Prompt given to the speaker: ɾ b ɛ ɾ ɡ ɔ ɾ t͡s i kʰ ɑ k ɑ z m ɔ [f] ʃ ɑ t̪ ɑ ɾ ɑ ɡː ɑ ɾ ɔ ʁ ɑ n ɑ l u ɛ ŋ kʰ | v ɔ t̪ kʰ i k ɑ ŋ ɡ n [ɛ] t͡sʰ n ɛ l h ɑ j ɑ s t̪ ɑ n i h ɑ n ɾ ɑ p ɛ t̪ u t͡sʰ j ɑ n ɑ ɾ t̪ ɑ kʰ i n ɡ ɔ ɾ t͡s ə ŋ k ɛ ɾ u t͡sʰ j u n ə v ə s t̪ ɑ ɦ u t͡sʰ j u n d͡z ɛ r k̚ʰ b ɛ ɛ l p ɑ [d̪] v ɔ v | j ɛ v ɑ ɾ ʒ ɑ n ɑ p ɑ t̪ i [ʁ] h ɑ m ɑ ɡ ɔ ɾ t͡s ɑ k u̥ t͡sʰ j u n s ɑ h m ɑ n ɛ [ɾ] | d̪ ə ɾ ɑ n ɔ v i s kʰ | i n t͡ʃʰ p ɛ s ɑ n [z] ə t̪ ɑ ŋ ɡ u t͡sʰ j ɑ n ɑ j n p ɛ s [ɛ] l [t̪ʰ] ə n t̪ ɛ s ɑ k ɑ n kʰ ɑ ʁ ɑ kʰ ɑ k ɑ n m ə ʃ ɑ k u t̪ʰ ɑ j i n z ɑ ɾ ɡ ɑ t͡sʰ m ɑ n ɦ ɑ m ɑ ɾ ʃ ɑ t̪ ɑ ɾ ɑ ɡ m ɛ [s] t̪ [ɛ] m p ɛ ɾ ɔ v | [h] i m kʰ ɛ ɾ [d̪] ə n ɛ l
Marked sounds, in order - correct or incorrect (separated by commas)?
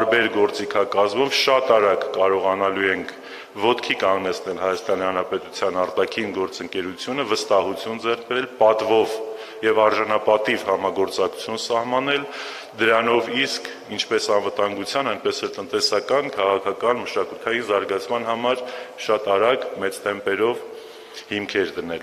incorrect, correct, incorrect, incorrect, incorrect, incorrect, correct, incorrect, incorrect, correct, correct, correct